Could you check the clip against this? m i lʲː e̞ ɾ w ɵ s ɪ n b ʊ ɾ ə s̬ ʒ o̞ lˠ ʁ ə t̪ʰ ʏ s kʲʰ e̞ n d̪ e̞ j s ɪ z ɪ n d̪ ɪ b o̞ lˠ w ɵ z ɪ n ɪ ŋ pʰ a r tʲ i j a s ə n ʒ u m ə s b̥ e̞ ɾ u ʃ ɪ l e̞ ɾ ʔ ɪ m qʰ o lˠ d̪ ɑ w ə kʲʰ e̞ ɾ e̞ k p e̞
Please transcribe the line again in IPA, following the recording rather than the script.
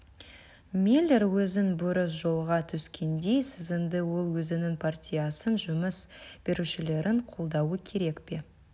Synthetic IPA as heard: m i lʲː e̞ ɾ w ɵ z ɪ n b ʊ ɾ ə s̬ ʒ o̞ lˠ ʁ ɑ t̪ʰ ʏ s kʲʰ e̞ n d̪ e̞ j s ɪ z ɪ n d̪ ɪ w o̞ lˠ w ɵ z ɪ n ɪ ŋ pʰ a r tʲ i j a s ə n ʒ ʊ m ə s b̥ e̞ ɾ u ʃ ɪ l e̞ ɾ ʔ ɪ ɴ qʰ o lˠ d̪ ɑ w ə kʲʰ e̞ ɾ e̞ k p e̞